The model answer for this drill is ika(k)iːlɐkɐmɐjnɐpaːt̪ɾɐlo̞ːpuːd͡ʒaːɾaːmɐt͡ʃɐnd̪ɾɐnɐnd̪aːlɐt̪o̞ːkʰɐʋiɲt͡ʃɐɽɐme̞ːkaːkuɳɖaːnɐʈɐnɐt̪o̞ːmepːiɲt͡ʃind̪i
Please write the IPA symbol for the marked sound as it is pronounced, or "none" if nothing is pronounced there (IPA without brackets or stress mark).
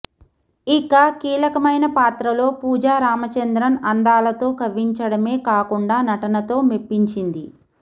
k